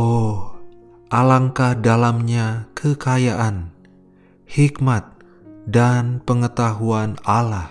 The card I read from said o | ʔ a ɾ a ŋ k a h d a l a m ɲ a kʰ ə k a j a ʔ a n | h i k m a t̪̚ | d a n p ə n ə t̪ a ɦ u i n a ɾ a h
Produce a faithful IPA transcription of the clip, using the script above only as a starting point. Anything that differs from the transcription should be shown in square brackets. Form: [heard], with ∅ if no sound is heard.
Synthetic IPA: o | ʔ a [l] a ŋ k a h d a l a m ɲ a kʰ ə k a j a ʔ a n | h i k m a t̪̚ | d a n p ə [ŋ] ə t̪ a ɦ u [a] n a [l] a h